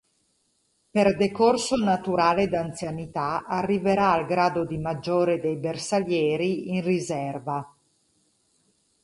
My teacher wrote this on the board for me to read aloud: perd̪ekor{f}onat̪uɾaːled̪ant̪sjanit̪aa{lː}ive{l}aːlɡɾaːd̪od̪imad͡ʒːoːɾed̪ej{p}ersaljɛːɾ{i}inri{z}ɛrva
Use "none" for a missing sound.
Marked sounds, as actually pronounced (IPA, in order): s, rː, ɾ, b, i, z

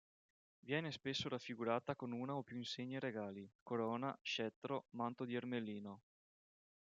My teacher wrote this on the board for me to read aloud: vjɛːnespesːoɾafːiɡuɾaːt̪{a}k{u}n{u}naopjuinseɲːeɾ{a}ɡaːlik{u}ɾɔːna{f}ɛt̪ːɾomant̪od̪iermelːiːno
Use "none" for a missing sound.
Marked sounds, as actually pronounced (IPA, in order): a, o, uː, e, o, ʃ

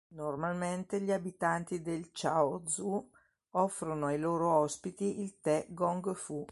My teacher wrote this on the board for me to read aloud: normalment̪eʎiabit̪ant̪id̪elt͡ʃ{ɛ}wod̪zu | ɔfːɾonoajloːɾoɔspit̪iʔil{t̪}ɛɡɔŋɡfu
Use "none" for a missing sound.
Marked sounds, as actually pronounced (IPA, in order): a, t̪

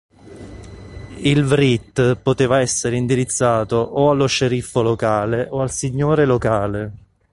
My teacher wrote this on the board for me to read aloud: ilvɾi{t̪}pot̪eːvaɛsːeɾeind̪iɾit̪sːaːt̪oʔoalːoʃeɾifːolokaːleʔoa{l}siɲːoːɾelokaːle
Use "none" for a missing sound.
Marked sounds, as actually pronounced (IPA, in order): t̪, l

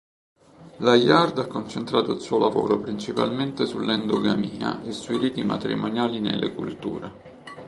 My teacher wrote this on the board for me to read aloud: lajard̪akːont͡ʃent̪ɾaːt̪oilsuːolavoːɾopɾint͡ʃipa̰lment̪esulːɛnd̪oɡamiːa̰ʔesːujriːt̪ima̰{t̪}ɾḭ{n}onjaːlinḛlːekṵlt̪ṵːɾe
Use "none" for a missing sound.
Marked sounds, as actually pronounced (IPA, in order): t̪, m

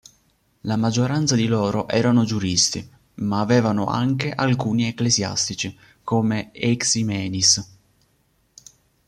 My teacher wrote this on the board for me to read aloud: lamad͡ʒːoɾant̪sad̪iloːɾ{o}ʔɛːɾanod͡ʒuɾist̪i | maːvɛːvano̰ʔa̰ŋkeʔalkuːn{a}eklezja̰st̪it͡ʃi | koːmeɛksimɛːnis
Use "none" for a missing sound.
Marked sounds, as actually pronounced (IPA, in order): o, i

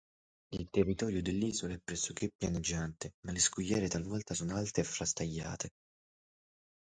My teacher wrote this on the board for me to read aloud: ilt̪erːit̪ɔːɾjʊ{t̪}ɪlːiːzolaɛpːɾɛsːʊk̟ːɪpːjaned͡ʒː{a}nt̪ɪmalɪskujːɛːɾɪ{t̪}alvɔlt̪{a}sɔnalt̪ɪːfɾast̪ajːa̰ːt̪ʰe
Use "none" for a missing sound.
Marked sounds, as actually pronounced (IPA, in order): d̪, a, t̪, a

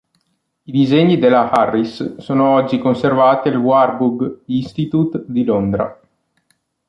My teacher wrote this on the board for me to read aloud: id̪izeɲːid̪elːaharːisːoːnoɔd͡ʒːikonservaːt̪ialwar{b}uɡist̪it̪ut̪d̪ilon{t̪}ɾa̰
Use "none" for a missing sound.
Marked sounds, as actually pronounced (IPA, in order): b, d̪

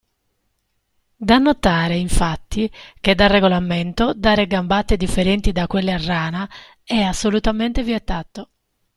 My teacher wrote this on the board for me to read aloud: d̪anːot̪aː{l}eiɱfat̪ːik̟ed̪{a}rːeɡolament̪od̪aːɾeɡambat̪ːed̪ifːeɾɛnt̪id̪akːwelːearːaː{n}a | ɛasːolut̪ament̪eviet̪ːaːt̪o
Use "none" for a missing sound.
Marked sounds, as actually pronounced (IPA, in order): ɾ, a, n

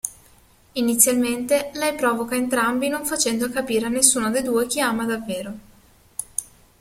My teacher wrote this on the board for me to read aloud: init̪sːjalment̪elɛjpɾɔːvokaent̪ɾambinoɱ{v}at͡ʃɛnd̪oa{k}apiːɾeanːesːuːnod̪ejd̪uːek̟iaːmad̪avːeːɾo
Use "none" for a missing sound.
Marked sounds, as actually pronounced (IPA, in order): f, k

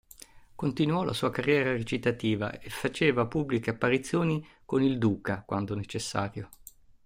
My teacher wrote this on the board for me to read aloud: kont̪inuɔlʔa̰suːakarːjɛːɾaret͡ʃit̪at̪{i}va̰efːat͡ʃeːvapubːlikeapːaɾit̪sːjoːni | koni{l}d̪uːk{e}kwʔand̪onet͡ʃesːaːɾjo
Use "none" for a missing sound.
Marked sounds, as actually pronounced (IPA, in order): iː, l, a

